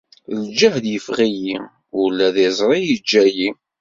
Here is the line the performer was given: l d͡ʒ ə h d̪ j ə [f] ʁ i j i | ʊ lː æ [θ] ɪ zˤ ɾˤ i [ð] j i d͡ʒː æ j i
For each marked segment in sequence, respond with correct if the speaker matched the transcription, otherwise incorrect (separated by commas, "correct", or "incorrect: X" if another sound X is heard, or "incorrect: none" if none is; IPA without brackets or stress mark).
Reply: correct, incorrect: ð, incorrect: none